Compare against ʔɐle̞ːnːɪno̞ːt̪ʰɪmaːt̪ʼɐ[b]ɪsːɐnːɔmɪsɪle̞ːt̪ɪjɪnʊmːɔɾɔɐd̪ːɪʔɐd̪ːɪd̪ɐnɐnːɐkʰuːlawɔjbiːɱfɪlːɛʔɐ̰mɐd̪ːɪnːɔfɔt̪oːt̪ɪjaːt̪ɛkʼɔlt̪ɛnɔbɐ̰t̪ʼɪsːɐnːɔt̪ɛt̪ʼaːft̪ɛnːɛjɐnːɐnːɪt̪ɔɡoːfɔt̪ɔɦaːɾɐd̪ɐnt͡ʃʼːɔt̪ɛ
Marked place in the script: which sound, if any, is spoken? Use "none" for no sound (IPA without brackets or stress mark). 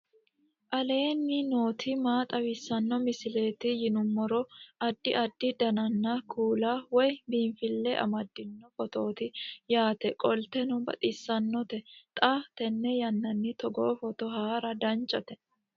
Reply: w